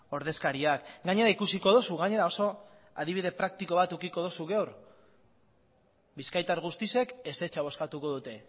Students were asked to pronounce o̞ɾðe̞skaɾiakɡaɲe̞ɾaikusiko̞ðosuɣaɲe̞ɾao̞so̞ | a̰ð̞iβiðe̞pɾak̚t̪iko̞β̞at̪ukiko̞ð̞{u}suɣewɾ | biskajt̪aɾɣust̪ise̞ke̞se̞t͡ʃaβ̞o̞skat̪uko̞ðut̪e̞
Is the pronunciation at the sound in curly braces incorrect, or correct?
incorrect